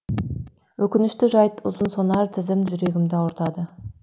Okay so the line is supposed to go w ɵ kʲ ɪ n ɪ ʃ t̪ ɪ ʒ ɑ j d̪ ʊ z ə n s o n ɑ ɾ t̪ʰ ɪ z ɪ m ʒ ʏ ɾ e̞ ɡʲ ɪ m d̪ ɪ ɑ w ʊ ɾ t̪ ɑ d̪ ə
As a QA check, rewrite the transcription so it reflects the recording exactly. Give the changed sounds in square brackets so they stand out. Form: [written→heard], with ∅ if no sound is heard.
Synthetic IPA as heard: w ɵ kʲ ɪ n ɪ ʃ t̪ ɪ ʒ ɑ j [d̪→t̪] ʊ z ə n s o n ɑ ɾ t̪ʰ ɪ z ɪ m ʒ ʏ ɾ e̞ ɡʲ ɪ m d̪ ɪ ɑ w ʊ ɾ t̪ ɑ d̪ ə